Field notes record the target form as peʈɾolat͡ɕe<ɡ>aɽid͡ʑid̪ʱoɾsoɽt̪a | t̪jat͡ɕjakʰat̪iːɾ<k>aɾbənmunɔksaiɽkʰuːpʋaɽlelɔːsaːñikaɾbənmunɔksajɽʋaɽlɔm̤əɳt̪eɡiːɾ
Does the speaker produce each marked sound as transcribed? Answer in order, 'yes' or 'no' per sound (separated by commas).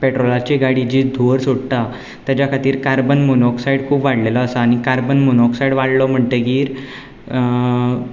yes, yes